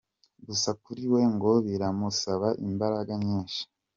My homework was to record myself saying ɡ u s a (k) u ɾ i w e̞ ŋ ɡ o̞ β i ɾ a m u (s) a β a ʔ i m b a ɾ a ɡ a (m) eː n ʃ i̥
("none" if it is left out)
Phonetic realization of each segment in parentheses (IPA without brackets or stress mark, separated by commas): k, s, ɲ